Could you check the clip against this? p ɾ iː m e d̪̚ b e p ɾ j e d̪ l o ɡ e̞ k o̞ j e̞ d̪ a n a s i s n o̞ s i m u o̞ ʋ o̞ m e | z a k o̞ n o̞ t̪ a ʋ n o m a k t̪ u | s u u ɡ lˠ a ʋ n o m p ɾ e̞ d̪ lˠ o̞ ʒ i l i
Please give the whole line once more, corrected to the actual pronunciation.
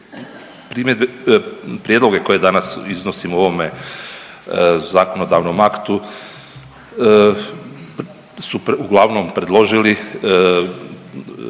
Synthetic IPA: p ɾ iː m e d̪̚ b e p ɾ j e d̪ l o ɡ e̞ k o̞ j e̞ d̪ a n a s i z n o̞ s i m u o̞ ʋ o̞ m e | z a k o̞ n o̞ d̪ a ʋ n o m a k t̪ u | s u u ɡ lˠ a ʋ n o m p ɾ e̞ d̪ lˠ o̞ ʒ i l i

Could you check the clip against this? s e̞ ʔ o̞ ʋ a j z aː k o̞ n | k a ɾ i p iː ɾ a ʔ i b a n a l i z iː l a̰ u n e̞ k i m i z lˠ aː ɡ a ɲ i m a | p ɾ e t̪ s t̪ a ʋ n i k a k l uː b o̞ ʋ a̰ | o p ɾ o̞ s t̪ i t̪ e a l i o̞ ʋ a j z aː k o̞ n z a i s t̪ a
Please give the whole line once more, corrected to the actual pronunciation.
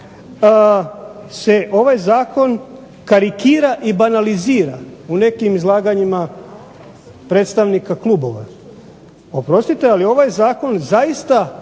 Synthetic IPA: s e̞ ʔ o̞ ʋ a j z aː k o̞ n | k a ɾ i k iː ɾ a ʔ i b a n a l i z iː ɾ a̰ u n e̞ k i m i z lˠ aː ɡ a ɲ i m a | p ɾ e t̪ s t̪ a ʋ n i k a k l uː b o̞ ʋ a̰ | o p ɾ o̞ s t̪ i t̪ e a l i o̞ ʋ a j z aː k o̞ n z a i s t̪ a

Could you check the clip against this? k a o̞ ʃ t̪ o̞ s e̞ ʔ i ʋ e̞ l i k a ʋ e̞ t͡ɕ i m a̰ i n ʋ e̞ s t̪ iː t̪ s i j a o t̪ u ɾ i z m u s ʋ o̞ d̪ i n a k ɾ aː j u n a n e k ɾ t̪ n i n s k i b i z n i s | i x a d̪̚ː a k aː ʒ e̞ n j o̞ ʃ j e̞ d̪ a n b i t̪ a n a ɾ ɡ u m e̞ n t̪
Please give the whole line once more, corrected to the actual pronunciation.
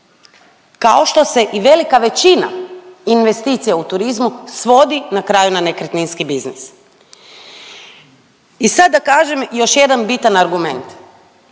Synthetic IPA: k a o̞ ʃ t̪ o̞ s e̞ ʔ i ʋ e̞ l i k a ʋ e̞ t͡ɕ i n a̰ i n ʋ e̞ s t̪ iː t̪ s i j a u t̪ u ɾ i z m u s ʋ o̞ d̪ i n a k ɾ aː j u n a n e k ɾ t̪ n i n s k i b i z n i s | i s a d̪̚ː a k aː ʒ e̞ m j o̞ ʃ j e̞ d̪ a n b i t̪ a n a ɾ ɡ u m e̞ n t̪

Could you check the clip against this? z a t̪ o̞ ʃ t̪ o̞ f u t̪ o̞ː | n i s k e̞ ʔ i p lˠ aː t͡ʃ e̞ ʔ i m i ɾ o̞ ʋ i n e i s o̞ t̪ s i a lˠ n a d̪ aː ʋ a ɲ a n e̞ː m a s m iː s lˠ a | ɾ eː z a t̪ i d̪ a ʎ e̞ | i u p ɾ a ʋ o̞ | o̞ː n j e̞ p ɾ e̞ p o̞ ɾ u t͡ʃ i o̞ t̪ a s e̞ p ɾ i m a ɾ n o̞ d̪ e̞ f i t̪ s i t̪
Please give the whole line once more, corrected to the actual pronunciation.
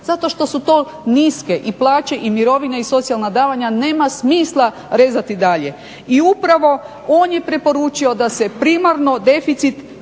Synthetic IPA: z a t̪ o̞ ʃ t̪ o̞ s u t̪ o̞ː | n i s k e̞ ʔ i p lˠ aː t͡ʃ e̞ ʔ i m i ɾ o̞ ʋ i n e i s o̞ t̪ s i a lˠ n a d̪ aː ʋ a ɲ a n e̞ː m a s m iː s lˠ a | ɾ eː z a t̪ i d̪ a ʎ e̞ | i u p ɾ a ʋ o̞ | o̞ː n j e̞ p ɾ e̞ p o̞ ɾ u t͡ʃ i o̞ d̪ a s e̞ p ɾ i m a ɾ n o̞ d̪ e̞ f i t̪ s i t̪

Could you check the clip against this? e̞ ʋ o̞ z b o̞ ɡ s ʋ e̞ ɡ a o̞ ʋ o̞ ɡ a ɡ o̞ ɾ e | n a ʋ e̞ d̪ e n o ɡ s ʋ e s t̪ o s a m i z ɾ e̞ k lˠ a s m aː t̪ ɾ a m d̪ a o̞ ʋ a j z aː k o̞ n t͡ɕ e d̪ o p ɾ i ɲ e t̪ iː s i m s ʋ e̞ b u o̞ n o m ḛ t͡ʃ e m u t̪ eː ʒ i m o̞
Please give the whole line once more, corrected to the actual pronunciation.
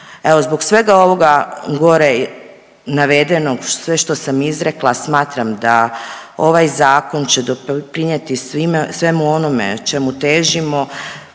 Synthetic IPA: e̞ ʋ o̞ z b o̞ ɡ s ʋ e̞ ɡ a o̞ ʋ o̞ ɡ a ɡ o̞ ɾ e | n a ʋ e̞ d̪ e n o ɡ s ʋ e ʃ t̪ o s a m i z ɾ e̞ k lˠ a s m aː t̪ ɾ a m d̪ a o̞ ʋ a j z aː k o̞ n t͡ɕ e d̪ o p ɾ i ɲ e t̪ i s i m s ʋ e̞ m u o̞ n o m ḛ t͡ʃ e m u t̪ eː ʒ i m o̞

